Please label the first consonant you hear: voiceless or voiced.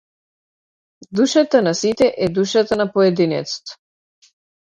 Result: voiced